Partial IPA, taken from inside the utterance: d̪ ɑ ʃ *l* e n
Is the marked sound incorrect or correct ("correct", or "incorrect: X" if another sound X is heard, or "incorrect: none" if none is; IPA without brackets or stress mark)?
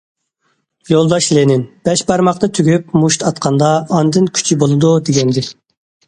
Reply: correct